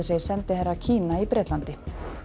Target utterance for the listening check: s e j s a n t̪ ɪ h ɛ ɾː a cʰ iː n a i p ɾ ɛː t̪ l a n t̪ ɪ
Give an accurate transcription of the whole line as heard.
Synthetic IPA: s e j s ɛ n t̪ ɪ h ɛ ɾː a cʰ iː n a i p ɾ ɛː t̪ l a n t̪ ɪ